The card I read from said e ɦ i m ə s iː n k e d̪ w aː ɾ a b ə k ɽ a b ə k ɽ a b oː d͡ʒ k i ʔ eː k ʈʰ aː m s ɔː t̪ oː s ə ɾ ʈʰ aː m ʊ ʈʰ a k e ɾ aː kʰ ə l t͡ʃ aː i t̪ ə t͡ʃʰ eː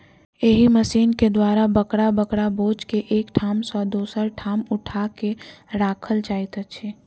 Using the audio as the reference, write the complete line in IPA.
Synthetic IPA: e ɦ i m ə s iː n k e d̪ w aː ɾ a b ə k ɽ a b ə k ɽ a b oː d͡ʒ k e ʔ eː k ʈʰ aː m s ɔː d̪ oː s ə ɾ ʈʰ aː m ʊ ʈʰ a k e ɾ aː kʰ ə l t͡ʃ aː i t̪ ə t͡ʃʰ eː